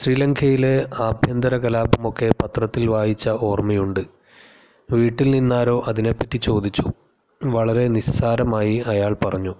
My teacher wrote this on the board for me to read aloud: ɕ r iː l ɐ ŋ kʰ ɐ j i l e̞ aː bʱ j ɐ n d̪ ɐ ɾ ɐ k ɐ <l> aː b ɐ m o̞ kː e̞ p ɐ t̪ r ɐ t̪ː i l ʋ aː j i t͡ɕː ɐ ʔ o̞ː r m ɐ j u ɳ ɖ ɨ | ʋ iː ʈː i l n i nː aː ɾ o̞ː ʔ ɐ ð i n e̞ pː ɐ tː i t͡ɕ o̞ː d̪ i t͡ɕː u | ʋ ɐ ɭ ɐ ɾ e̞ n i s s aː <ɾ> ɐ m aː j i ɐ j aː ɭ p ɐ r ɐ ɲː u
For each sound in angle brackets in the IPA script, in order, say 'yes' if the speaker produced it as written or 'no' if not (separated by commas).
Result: yes, yes